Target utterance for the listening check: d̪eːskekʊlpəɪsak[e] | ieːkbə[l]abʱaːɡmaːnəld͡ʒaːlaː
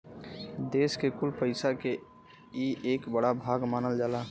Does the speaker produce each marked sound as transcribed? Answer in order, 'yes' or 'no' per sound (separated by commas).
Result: yes, no